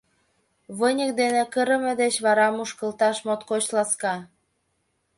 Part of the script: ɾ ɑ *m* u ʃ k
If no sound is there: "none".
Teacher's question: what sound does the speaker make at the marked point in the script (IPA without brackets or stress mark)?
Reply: m